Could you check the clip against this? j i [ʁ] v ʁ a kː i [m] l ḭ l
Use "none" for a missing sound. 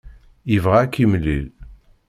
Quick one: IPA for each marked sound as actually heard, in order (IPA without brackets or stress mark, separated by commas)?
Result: none, m